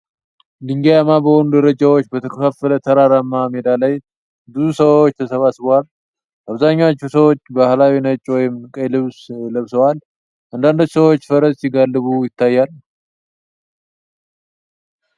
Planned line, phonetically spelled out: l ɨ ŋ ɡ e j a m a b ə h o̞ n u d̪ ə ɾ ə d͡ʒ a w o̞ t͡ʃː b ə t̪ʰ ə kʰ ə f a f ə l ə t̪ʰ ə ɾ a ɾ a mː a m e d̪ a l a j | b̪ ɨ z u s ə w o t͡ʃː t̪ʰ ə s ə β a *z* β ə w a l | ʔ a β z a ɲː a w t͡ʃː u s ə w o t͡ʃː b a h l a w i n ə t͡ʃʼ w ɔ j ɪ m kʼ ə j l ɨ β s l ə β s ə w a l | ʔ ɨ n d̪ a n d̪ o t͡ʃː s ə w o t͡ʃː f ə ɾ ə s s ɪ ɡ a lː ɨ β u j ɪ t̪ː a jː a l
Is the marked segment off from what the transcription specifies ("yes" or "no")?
yes